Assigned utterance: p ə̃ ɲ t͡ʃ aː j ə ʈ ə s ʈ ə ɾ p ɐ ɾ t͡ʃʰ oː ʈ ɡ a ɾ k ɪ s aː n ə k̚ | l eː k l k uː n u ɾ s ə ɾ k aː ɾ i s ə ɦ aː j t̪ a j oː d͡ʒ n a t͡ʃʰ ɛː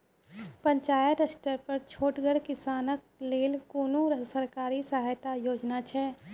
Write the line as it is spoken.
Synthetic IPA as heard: p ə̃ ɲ t͡ʃ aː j ə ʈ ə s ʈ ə ɾ p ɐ ɾ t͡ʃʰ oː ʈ ɡ ə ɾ k ɪ s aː n ə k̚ | l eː l k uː n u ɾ s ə ɾ k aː ɾ i s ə ɦ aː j t̪ a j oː d͡ʒ n a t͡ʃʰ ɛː

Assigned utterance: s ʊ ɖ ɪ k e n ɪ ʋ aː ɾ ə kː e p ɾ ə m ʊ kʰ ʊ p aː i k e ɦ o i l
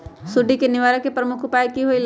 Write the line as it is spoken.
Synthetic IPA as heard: s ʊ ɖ i k e n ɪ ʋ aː ɾ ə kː e p ɾ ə m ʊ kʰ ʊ p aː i k i ɦ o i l

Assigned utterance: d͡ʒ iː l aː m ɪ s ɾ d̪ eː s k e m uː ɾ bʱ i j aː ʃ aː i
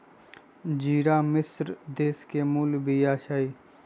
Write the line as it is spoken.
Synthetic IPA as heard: d͡ʒ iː ɾ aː m ɪ s ɾ d̪ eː s k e m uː l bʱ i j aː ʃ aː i

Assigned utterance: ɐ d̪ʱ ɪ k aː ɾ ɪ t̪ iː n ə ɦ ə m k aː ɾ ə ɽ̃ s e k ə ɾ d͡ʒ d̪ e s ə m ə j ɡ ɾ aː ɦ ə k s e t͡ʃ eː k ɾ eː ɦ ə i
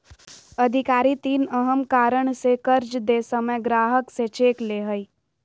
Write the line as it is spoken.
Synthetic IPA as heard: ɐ d̪ʱ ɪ k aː ɾ i t̪ iː n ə ɦ ə m k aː ɾ ə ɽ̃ s e k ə ɾ d͡ʒ d̪ e s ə m ə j ɡ ɾ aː ɦ ə k s e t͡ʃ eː k l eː ɦ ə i

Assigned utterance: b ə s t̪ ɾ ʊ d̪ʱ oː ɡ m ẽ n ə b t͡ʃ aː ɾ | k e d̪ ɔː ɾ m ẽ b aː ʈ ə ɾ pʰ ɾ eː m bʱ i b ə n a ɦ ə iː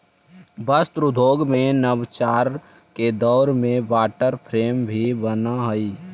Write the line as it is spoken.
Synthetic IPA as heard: b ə s t̪ ɾ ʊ d̪ʱ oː ɡ m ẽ n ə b t͡ʃ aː ɾ | k e d̪ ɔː ɾ m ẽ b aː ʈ ə ɾ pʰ ɾ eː m bʱ i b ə n a ɦ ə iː

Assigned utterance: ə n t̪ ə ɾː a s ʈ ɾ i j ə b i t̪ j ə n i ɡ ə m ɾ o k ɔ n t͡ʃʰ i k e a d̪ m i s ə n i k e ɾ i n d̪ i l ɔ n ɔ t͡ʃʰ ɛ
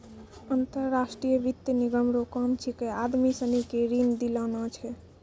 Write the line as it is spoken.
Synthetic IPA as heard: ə n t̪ ə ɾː a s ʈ ɾ i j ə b i t̪ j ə n i ɡ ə m ɾ o k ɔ m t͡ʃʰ i k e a d̪ m i s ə n i k e ɾ i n d̪ i l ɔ n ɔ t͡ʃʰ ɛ

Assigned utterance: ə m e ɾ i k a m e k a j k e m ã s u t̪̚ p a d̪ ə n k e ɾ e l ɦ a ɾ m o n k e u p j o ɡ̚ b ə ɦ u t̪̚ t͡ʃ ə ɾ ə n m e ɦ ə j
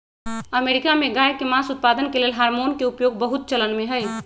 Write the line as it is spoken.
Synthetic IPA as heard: ə m e ɾ i k a m e ɡ a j k e m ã s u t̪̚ p a d̪ ə n k e l e l ɦ a ɾ m o n k e u p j o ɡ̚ b ə ɦ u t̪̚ t͡ʃ ə l ə n m e ɦ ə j

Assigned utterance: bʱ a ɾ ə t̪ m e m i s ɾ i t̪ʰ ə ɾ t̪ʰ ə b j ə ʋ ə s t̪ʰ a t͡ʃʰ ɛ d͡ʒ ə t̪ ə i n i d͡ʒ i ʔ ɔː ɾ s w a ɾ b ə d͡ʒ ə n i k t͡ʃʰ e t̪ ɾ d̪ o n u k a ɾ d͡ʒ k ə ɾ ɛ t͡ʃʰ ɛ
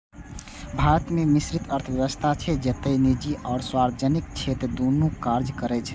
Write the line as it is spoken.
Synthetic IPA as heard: bʱ a ɾ ə t̪ m e m i s ɾ i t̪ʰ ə ɾ t̪ʰ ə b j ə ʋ ə s t̪ʰ a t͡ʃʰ ɛ d͡ʒ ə t̪ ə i n i d͡ʒ i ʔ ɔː ɾ s w a ɾ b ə d͡ʒ ə n i k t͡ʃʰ e t̪ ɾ d̪ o n u k a ɾ d͡ʒ k ə ɾ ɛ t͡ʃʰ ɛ

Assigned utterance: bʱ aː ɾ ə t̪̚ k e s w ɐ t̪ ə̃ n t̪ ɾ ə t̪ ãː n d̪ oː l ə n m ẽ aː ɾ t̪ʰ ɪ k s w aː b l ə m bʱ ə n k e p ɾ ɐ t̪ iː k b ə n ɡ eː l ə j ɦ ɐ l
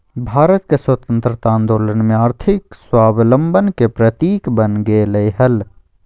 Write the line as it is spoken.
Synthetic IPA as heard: bʱ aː ɾ ə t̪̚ k e s w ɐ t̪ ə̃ n t̪ ɾ ə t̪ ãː n d̪ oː l ə n m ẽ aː ɾ t̪ʰ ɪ k s w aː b l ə m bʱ ə n k e p ɾ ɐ t̪ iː k b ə n ɡ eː l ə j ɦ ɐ l

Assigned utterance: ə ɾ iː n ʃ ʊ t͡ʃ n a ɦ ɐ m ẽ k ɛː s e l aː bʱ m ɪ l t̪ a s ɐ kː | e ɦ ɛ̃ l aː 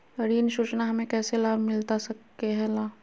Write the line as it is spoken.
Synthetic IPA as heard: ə ɾ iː n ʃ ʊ t͡ʃ n a ɦ ɐ m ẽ k ɛː s e l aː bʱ m ɪ l t̪ a s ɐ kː | e ɦ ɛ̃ l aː

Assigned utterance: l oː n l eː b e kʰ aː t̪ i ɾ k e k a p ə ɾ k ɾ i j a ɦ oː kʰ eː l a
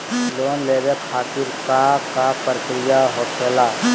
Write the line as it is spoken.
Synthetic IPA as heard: l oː n l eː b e kʰ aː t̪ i ɾ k a k a p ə ɾ k ɾ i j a ɦ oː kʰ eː l a

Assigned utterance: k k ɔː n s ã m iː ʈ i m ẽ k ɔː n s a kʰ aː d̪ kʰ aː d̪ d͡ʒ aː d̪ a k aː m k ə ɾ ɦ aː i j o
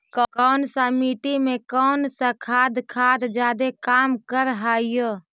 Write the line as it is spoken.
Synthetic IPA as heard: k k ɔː n s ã m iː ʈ i m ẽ k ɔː n s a kʰ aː d̪ kʰ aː d̪ d͡ʒ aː d̪ e k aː m k ə ɾ ɦ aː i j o

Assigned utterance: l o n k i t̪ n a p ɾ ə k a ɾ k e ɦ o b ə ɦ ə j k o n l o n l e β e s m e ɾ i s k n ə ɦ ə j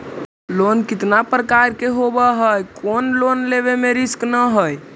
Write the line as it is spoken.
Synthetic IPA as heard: l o n k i t̪ n a p ɾ ə k a ɾ k e ɦ o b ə ɦ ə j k o n l o n l e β e m e ɾ i s k n ə ɦ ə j

